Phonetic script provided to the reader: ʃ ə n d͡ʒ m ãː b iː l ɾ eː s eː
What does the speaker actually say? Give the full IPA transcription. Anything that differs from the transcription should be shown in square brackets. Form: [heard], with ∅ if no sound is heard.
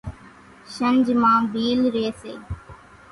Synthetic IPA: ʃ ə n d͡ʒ m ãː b iː l ɾ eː s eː